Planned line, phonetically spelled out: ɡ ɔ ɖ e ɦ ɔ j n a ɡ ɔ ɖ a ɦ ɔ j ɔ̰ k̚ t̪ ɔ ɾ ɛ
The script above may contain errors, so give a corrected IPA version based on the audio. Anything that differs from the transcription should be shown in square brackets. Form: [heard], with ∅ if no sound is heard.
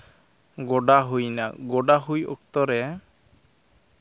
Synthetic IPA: ɡ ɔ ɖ [a] ɦ [u] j n a ɡ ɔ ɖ a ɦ [u] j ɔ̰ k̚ t̪ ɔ ɾ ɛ